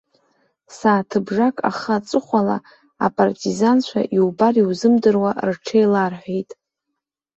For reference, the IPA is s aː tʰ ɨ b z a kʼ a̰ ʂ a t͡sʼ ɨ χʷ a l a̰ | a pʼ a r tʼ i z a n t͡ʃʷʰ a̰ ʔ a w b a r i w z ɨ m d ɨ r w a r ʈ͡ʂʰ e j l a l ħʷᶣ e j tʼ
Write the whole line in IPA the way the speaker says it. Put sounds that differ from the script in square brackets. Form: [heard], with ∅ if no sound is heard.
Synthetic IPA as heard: s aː tʰ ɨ b [ʐ] a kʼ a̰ [χ] a t͡sʼ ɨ χʷ a l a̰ | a pʼ a r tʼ i z a n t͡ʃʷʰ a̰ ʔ [i] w b a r i w z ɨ m d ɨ r w a r ʈ͡ʂʰ e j l a [r] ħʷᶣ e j tʼ